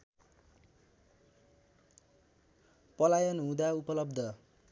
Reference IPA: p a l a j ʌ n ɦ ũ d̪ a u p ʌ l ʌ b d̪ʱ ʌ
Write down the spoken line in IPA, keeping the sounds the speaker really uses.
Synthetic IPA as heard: p ʌ l a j ʌ n ɦ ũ d̪ a u p ʌ l ʌ b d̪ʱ ʌ